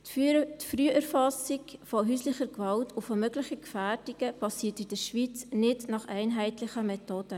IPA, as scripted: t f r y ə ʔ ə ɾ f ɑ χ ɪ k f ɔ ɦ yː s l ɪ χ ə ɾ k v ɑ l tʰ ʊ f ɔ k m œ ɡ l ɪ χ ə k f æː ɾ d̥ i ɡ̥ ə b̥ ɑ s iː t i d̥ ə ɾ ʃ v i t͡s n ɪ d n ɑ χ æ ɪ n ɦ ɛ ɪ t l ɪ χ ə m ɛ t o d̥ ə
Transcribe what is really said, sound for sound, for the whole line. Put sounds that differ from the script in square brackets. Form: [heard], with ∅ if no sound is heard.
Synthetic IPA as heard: t f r y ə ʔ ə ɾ f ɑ [s] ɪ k f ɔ ɦ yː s l ɪ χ ə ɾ k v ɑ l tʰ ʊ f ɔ [∅] m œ ɡ l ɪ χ ə k f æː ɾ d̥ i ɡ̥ ə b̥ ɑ s iː t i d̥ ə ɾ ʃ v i t͡s n ɪ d n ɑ χ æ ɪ n ɦ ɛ ɪ t l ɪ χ ə m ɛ t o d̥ ə